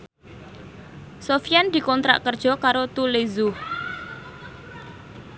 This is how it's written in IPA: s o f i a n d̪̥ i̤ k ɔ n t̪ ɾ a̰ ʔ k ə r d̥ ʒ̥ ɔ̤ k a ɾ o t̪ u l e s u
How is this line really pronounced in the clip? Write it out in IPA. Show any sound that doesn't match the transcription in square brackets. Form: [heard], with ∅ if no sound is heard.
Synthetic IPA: s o f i a n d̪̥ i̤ k ɔ n t̪ ɾ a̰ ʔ k ə r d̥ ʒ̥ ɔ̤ k a ɾ o t̪ u l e [z] u

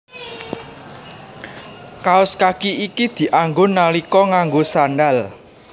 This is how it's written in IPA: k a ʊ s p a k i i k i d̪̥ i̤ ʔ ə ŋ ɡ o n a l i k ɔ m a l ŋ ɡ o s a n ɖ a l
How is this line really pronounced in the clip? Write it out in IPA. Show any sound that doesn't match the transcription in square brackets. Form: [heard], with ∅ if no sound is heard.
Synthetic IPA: k a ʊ s [k] a k i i k i d̪̥ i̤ ʔ [a] ŋ ɡ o n a l i k ɔ [ŋ] a [∅] ŋ ɡ o s a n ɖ a l

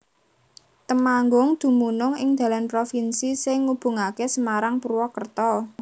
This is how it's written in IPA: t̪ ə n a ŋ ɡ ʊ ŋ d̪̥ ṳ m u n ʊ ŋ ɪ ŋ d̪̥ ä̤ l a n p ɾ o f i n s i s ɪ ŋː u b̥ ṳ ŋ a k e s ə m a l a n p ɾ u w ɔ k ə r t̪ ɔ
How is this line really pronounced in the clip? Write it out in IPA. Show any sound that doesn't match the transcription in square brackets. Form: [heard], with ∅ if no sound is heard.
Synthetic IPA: t̪ ə [m] a ŋ ɡ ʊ ŋ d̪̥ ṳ m u n ʊ ŋ ɪ ŋ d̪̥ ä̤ l a n p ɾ o f i n s i s ɪ ŋː u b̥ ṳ ŋ a k e s ə m a [ɾ] a [ŋ] p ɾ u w ɔ k ə r t̪ ɔ

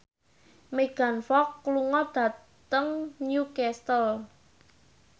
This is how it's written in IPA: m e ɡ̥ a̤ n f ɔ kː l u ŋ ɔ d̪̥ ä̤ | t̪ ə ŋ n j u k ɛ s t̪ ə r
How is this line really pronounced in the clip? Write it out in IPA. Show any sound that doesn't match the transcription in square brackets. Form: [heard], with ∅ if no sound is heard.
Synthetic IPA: m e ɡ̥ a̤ n f ɔ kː l u ŋ ɔ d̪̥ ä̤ | t̪ ə ŋ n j u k ɛ s t̪ ə [l]

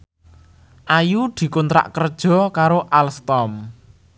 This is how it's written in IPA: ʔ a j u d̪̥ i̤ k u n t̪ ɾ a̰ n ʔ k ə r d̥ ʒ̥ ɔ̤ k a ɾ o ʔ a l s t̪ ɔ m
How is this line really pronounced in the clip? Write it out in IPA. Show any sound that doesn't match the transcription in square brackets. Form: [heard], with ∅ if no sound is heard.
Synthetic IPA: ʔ a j u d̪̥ i̤ k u n t̪ ɾ a̰ [∅] ʔ k ə r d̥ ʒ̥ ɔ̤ k a ɾ o ʔ a l s t̪ ɔ m

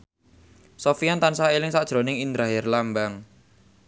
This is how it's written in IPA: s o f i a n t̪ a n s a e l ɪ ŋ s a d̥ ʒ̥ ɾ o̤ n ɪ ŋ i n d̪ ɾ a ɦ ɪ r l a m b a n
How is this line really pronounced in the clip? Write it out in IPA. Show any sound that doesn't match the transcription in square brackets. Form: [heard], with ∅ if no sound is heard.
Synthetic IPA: s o f i a n t̪ a n s a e l ɪ ŋ s a d̥ ʒ̥ ɾ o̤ n ɪ ŋ i n d̪ ɾ a ɦ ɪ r l a m b a [ŋ]

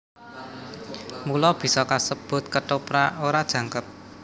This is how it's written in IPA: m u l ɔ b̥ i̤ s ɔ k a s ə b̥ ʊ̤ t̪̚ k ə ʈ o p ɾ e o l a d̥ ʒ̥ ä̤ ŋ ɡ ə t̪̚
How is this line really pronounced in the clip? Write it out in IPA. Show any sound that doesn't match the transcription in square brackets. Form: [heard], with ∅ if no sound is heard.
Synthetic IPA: m u l ɔ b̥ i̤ s ɔ k a s ə b̥ ʊ̤ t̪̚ k ə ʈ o p ɾ [a] o [ɾ] a d̥ ʒ̥ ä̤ ŋ [k] ə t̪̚

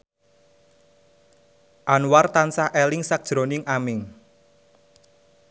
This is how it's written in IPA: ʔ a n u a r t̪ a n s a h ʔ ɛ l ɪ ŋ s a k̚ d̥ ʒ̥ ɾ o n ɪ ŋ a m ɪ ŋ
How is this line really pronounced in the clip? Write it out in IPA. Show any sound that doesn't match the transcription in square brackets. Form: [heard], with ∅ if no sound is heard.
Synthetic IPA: ʔ a n [w] a r t̪ a n s a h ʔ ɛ l ɪ ŋ s a k̚ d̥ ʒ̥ ɾ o n ɪ ŋ a m ɪ ŋ

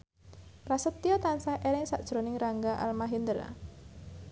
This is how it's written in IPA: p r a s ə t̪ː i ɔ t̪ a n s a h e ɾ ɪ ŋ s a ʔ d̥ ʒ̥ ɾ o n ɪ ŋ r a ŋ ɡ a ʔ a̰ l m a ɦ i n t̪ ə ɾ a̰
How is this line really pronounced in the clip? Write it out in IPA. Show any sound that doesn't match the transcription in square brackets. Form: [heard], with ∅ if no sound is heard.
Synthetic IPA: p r a s ə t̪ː i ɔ t̪ a n s a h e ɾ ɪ ŋ s a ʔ d̥ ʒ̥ ɾ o n ɪ ŋ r a ŋ ɡ a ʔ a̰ l m a ɦ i n [d̪] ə ɾ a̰

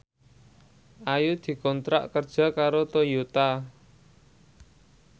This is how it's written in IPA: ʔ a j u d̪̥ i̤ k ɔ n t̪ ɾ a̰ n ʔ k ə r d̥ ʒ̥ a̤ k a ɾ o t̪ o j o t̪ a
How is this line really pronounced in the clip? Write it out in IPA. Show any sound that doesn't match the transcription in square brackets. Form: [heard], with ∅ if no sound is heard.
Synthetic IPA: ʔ a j u d̪̥ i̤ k ɔ n t̪ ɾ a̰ [∅] ʔ k ə r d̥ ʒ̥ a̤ k a ɾ o t̪ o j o t̪ a

